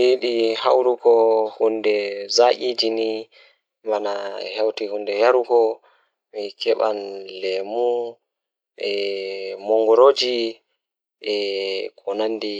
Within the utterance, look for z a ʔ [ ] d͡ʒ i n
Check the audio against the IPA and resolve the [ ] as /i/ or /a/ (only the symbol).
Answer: i